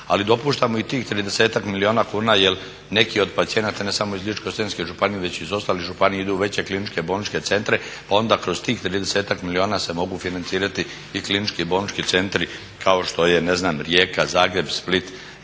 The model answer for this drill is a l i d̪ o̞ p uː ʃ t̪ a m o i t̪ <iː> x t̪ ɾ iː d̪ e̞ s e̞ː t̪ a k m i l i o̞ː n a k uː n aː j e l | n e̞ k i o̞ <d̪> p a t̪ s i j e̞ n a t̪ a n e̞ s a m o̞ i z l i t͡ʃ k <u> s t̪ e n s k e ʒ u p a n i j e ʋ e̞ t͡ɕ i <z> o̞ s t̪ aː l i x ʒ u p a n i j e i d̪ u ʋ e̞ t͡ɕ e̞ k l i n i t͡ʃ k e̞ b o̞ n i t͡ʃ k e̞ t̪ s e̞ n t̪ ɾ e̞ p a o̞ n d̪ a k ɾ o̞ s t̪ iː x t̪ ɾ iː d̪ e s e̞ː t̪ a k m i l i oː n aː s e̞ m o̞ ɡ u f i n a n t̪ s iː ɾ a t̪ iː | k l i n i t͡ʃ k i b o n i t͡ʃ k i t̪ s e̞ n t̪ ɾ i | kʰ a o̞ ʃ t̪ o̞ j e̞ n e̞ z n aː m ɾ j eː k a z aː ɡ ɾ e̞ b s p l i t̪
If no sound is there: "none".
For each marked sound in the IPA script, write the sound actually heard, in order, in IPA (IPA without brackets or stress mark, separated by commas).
iː, d̪, o, z